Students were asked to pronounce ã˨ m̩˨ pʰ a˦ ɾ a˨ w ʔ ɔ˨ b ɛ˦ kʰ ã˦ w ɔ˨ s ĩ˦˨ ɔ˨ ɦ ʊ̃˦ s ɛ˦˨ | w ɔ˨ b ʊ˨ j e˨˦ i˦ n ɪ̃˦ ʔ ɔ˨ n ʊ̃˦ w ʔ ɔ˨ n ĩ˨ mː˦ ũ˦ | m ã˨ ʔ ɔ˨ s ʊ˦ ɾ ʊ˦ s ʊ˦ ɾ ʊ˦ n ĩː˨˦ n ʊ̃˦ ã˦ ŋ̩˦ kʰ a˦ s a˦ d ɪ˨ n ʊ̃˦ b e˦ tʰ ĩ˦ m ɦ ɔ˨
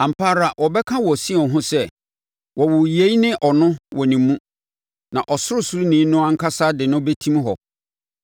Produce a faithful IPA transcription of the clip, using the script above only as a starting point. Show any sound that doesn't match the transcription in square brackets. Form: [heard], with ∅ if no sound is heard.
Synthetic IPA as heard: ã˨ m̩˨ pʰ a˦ ɾ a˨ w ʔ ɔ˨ b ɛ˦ kʰ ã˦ w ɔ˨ s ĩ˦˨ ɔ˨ ɦ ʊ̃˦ s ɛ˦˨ | w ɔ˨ [w] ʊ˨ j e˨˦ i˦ n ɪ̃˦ ʔ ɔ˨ n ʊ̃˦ w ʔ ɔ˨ n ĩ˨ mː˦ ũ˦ | [n] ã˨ ʔ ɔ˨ s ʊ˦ ɾ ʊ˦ s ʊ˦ ɾ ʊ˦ n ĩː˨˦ n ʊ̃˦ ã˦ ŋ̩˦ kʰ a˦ s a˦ d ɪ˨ n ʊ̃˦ b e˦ tʰ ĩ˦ m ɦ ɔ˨